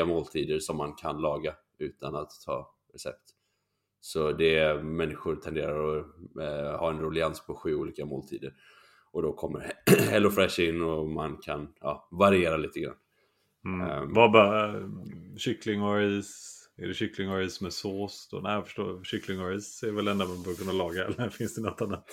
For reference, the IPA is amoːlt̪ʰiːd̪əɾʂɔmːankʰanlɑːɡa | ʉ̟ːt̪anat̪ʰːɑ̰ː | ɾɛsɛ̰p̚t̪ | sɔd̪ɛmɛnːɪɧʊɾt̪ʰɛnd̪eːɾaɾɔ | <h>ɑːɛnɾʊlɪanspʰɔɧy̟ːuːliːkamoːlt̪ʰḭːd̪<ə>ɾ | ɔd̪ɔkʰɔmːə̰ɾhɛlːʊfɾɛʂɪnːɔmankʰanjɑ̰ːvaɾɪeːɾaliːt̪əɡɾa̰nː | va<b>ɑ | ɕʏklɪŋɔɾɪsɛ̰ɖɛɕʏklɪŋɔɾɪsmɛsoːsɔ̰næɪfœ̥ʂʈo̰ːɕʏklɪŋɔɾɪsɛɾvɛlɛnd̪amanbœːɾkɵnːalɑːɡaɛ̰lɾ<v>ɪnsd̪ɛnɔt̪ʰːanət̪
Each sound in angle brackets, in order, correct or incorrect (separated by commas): correct, correct, correct, incorrect